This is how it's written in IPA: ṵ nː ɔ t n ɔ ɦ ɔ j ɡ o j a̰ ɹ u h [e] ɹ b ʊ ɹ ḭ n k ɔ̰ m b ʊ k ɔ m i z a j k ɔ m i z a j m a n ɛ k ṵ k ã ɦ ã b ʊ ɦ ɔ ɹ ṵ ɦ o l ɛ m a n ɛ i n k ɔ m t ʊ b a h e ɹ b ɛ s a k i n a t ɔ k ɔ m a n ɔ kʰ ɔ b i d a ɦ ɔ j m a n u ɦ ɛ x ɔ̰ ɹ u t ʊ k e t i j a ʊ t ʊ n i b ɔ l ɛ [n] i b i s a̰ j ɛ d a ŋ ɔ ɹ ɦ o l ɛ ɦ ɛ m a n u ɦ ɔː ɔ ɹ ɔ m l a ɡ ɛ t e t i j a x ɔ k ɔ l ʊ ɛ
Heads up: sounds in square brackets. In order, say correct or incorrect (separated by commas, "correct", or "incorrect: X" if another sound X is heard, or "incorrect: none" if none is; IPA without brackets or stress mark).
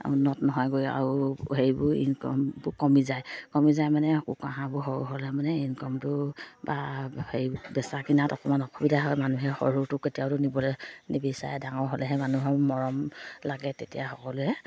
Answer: correct, correct